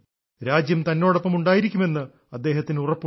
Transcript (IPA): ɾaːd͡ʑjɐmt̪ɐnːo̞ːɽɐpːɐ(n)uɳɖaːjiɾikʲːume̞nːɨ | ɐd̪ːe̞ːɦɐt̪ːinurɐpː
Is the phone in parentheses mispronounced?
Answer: yes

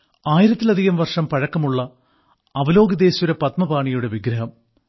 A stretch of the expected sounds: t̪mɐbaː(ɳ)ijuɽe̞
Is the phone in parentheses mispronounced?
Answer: no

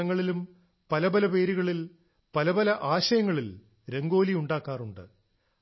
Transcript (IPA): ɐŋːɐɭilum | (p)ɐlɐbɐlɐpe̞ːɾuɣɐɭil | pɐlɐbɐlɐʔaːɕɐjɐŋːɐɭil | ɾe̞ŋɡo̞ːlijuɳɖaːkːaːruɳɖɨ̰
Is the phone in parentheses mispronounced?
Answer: no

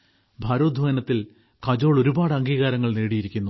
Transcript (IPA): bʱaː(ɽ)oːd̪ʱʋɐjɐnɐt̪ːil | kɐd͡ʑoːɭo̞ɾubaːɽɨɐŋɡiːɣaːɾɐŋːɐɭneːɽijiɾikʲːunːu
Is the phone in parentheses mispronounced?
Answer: yes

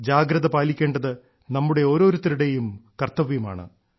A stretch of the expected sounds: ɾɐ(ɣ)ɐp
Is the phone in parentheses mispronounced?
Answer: yes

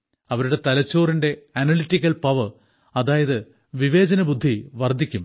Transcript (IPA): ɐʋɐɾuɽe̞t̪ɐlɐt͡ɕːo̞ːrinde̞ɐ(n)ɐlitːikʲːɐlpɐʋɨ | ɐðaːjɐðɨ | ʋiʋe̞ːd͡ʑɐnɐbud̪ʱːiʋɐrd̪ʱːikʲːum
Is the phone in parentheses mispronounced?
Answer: no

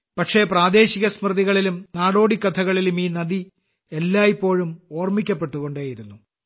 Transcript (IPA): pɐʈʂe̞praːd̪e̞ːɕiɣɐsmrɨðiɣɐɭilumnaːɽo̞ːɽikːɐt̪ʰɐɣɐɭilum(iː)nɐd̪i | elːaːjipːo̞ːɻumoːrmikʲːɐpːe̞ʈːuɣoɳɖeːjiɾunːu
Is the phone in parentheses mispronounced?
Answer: no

